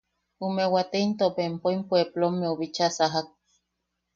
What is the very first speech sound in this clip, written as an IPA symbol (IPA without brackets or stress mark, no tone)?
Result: u